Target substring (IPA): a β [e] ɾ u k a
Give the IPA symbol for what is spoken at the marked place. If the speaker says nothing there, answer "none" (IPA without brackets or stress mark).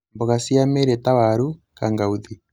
a